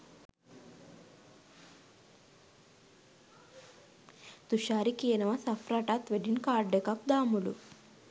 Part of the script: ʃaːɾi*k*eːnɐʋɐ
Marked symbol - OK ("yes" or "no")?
yes